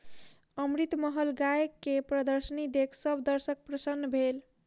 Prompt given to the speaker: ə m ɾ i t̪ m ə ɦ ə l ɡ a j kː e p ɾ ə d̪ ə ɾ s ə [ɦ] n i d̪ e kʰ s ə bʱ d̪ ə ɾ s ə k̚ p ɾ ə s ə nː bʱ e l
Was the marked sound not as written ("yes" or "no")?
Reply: yes